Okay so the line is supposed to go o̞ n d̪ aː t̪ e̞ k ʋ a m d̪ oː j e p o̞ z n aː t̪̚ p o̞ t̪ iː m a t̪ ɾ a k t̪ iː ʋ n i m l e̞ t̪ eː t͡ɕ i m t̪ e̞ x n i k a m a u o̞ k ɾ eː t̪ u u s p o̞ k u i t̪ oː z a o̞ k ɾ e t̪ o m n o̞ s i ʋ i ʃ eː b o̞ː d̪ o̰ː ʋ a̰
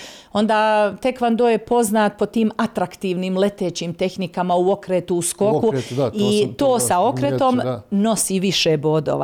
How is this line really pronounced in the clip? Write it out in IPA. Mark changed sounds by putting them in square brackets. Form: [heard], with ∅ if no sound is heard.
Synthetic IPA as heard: o̞ n d̪ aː t̪ e̞ k ʋ a [n] d̪ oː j e p o̞ z n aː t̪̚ p o̞ t̪ iː m a t̪ ɾ a k t̪ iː ʋ n i m l e̞ t̪ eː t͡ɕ i m t̪ e̞ x n i k a m a u o̞ k ɾ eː t̪ u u s [k] o̞ k u i t̪ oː [s] a o̞ k ɾ e t̪ o m n o̞ s i ʋ i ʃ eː b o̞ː d̪ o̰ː ʋ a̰